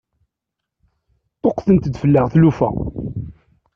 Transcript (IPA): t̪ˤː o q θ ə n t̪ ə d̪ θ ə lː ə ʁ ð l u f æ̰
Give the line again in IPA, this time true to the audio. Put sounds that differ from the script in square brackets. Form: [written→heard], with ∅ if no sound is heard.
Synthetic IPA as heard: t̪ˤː o q θ ə n t̪ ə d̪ [θ→f] ə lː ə ʁ [ð→θ] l u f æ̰